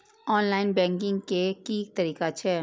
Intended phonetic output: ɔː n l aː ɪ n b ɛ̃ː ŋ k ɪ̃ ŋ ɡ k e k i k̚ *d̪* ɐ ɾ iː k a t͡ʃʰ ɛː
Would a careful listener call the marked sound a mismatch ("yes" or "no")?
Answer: yes